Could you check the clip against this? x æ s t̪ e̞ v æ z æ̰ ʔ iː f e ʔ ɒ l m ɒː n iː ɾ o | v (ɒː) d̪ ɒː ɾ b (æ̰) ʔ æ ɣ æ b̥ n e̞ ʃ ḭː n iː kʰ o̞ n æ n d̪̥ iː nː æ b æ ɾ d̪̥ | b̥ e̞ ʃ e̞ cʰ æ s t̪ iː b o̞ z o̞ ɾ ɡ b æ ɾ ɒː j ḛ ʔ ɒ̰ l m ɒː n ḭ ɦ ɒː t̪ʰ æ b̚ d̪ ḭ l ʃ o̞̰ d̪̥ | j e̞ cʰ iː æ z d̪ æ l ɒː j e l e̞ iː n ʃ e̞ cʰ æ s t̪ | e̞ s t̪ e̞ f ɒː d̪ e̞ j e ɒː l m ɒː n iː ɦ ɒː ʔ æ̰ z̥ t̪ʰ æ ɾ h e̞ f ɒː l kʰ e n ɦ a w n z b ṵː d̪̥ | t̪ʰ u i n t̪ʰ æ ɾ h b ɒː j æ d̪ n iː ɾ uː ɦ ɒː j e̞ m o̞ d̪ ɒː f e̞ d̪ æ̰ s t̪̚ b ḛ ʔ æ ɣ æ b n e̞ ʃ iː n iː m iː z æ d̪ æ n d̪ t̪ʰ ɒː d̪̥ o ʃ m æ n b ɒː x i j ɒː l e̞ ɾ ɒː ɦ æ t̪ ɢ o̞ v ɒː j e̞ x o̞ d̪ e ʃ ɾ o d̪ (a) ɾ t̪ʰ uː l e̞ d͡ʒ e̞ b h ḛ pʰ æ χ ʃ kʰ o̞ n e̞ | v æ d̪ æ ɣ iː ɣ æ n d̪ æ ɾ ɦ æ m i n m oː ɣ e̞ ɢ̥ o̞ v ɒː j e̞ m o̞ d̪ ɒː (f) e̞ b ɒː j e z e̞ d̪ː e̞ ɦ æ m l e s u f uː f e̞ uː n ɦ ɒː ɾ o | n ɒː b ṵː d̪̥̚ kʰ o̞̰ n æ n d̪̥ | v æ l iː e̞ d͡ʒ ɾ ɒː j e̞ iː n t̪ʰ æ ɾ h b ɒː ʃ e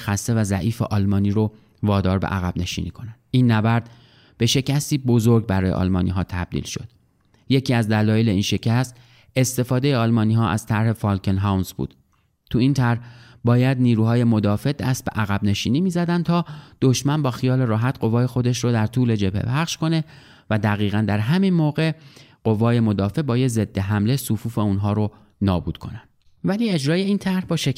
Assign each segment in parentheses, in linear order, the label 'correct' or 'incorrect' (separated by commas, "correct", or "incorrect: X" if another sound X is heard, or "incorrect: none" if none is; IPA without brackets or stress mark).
correct, incorrect: ḛ, incorrect: æ, correct